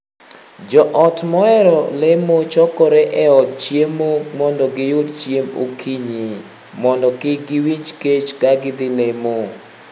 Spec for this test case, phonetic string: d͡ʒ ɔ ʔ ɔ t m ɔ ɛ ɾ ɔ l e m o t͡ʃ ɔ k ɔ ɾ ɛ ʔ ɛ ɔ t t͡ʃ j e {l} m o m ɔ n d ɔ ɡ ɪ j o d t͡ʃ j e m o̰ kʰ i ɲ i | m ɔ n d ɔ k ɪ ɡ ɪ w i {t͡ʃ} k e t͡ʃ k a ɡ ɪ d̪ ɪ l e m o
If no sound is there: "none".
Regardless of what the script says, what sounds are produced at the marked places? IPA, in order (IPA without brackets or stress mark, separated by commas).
none, t͡ʃ